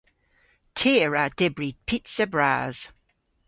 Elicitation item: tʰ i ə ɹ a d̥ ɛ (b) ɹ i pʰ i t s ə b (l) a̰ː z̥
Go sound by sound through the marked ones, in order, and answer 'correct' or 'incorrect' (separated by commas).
correct, incorrect